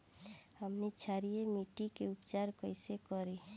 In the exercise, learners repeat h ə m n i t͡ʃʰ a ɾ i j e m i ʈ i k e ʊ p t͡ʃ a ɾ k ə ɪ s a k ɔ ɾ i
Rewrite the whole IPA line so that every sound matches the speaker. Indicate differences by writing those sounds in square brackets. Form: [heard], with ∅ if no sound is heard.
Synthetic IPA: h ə m n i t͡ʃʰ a ɾ i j e m i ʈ i k e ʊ p t͡ʃ a ɾ k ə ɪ s [e] k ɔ ɾ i